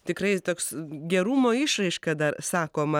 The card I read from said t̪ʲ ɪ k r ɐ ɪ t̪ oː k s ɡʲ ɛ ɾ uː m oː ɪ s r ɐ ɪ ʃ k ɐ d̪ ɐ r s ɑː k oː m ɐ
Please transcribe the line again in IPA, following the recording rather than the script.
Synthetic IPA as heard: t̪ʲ ɪ k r ɐ ɪ t̪ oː k s ɡʲ ɛ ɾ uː m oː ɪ ʃ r ɐ ɪ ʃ k ɐ d̪ ɐ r s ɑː k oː m ɐ